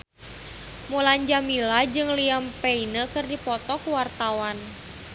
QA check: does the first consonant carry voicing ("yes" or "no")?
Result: yes